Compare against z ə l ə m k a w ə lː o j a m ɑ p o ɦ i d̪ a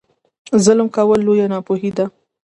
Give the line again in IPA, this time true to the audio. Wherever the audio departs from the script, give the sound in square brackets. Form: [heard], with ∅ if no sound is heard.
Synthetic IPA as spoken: z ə l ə m k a w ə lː o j a [n] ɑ p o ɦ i d̪ a